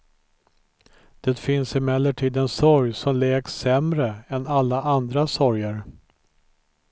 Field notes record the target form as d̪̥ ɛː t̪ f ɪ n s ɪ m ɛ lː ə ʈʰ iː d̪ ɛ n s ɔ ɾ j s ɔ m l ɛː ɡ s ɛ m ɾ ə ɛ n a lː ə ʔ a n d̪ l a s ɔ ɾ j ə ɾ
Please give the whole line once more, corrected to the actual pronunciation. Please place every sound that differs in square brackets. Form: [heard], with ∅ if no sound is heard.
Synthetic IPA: d̪̥ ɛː t̪ f ɪ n s ɪ m ɛ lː ə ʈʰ iː d̪ ɛ n s ɔ ɾ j s ɔ m l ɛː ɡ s ɛ m ɾ ə ɛ n a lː [a] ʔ a n d̪ [ɾ] a s ɔ ɾ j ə ɾ